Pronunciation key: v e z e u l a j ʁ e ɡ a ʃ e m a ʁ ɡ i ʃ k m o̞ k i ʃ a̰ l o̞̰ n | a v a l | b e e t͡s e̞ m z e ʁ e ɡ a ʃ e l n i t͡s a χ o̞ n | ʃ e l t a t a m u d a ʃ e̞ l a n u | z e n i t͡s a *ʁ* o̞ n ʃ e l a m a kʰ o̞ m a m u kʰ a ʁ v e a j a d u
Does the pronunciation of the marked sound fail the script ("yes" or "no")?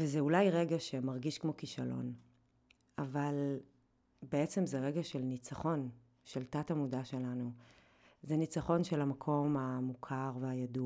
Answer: yes